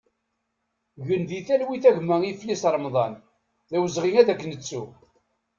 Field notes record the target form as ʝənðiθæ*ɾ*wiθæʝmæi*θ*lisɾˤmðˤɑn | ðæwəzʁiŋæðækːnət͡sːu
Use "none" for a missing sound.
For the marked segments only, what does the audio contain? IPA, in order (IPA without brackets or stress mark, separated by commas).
l, f